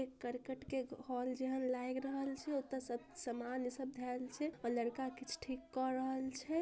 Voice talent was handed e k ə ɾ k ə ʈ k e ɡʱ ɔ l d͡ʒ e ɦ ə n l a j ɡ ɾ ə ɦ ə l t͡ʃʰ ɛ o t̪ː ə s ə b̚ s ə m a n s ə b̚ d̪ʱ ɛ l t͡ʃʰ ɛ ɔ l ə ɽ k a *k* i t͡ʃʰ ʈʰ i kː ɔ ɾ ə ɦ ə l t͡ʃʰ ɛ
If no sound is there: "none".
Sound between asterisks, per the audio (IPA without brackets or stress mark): k